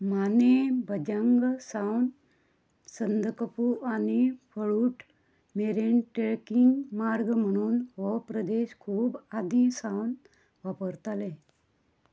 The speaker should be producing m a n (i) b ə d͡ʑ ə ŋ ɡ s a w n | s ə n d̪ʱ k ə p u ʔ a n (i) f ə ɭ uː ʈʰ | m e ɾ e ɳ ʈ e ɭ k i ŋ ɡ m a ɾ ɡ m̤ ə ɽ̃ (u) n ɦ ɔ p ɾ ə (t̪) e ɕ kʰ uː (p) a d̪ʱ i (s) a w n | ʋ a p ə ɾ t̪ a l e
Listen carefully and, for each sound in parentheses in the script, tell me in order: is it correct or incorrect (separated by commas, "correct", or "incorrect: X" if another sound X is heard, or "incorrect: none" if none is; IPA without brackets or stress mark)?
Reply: incorrect: e, correct, incorrect: uː, incorrect: d̪, incorrect: b, correct